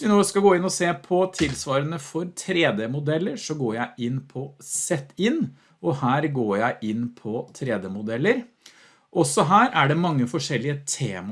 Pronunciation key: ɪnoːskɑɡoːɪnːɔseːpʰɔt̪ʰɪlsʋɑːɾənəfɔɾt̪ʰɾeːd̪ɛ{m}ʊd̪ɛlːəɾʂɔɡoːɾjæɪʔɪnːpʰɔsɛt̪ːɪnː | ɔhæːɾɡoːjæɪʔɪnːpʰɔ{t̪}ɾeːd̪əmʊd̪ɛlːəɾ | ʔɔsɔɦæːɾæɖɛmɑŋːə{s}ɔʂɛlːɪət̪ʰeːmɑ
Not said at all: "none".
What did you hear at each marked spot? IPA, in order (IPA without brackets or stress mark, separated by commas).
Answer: m, t̪ʰ, f